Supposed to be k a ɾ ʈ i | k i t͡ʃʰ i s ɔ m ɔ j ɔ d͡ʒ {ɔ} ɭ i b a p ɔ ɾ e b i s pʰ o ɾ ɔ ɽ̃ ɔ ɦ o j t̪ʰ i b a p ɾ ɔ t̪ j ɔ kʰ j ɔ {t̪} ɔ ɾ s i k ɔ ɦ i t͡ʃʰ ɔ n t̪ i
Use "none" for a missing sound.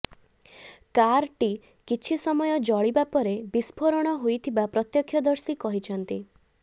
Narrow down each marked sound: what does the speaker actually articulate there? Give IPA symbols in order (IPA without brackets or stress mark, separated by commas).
ɔ, d̪